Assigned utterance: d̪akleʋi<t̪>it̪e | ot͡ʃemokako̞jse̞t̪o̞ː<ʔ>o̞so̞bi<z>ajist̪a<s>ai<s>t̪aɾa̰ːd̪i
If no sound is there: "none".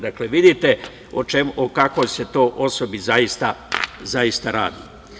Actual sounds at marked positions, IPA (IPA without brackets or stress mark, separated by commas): d̪, ʔ, z, z, s